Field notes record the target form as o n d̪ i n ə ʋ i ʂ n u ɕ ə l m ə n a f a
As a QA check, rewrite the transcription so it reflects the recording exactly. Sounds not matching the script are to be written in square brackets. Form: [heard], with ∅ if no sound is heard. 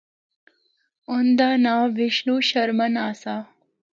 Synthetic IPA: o n d̪ [a] n [a] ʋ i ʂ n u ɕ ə [ɾ] m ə n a [s] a